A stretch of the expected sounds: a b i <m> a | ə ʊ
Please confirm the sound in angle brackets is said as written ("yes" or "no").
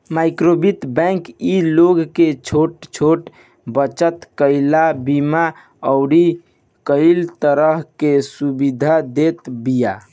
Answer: yes